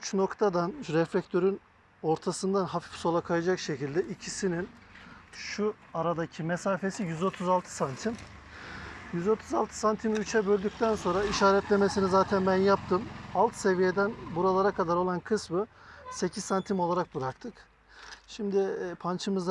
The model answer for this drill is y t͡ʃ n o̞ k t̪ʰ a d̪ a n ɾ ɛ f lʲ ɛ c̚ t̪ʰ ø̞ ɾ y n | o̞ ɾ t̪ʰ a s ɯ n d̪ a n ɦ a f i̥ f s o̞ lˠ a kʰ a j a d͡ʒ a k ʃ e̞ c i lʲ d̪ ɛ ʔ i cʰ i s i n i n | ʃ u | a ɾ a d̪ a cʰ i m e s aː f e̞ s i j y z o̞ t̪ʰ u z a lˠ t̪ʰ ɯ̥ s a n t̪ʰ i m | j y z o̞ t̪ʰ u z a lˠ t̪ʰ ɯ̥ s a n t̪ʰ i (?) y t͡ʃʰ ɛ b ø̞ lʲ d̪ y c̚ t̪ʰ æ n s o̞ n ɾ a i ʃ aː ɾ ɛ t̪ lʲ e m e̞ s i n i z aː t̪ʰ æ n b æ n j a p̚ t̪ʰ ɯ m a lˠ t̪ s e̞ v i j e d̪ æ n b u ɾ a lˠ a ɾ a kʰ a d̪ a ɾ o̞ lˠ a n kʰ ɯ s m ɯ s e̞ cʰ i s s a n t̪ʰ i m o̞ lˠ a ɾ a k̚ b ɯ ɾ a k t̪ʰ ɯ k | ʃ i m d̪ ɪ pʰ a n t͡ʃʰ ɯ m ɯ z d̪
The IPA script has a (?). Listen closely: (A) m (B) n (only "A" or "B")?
A